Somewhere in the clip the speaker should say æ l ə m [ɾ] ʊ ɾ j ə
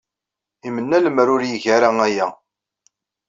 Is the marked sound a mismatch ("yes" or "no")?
no